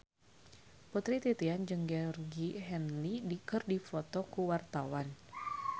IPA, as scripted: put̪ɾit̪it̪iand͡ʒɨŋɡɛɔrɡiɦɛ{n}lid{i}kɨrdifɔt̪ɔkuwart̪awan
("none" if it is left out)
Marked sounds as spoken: n, i

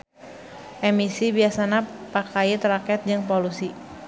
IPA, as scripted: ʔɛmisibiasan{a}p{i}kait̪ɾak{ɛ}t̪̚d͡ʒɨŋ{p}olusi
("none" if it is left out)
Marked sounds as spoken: a, a, ɛ, p

